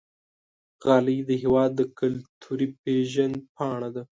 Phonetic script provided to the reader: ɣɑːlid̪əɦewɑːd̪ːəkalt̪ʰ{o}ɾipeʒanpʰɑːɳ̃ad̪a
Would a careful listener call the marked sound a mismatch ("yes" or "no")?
yes